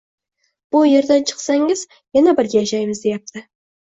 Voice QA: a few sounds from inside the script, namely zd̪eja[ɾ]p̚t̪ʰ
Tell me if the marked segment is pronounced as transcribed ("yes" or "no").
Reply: no